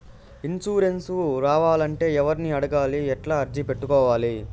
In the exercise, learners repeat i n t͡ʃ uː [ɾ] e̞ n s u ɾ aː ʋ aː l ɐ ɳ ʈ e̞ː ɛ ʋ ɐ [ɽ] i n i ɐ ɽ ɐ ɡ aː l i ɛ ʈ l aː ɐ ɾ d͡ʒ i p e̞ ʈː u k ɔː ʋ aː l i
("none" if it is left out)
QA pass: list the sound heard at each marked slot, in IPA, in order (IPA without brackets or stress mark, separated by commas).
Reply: ɾ, ɾ